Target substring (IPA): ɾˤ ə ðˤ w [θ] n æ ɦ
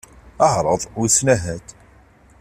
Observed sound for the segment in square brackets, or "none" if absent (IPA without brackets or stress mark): s